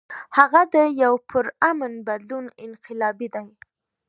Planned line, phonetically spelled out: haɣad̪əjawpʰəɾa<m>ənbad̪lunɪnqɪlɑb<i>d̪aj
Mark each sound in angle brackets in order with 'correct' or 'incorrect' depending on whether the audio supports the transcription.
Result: correct, correct

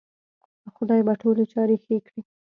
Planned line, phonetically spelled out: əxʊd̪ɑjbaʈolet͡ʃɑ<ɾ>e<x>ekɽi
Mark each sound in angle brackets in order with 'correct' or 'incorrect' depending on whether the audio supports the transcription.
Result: correct, correct

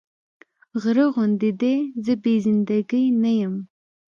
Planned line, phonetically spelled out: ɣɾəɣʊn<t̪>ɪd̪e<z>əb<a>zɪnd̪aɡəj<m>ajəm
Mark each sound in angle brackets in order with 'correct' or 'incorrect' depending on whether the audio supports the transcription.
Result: incorrect: d̪, correct, incorrect: e, incorrect: n

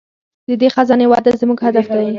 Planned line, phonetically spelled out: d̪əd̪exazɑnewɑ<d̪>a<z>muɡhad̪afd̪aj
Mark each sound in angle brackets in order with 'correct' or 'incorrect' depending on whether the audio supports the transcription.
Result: correct, correct

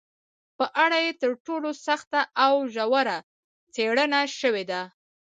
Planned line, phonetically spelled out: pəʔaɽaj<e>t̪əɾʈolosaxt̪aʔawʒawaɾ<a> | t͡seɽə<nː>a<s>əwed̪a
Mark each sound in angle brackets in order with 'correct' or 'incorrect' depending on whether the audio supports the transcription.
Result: correct, correct, incorrect: n, incorrect: ʃ

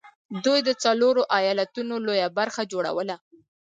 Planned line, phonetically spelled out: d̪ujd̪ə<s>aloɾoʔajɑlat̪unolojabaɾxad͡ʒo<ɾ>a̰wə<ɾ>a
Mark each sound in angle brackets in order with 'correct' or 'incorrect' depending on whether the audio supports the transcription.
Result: incorrect: t͡s, incorrect: ɽ, incorrect: l

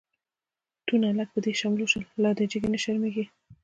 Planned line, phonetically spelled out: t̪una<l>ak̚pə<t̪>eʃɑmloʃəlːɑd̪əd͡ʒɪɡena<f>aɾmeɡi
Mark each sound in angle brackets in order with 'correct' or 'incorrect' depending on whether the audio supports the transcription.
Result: correct, incorrect: d̪, incorrect: ʃ

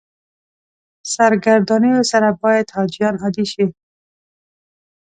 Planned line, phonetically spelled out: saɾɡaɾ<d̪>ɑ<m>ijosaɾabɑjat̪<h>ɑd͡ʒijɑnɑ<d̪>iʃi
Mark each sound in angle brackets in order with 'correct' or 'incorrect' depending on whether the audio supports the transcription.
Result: correct, incorrect: n, correct, correct

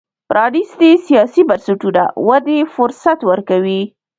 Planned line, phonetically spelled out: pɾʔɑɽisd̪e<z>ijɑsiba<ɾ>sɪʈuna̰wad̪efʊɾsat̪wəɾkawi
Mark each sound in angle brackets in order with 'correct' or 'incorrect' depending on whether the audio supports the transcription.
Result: incorrect: s, correct

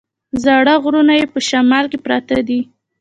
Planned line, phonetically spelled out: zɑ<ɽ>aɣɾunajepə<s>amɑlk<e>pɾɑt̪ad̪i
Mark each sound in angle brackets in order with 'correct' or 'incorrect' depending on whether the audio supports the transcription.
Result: correct, incorrect: ʃ, correct

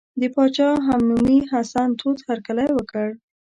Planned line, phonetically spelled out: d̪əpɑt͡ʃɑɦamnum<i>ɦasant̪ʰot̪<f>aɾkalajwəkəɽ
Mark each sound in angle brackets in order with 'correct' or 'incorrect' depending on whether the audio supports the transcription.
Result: correct, incorrect: h

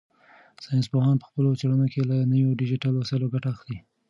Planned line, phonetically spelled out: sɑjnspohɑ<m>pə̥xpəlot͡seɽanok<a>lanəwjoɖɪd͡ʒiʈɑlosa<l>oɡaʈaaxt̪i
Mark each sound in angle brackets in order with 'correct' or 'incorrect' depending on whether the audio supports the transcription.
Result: incorrect: n, incorrect: e, correct

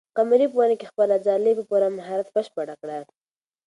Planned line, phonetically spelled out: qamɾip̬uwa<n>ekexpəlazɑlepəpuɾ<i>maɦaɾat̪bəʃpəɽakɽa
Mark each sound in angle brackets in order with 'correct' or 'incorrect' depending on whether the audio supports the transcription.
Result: correct, incorrect: a

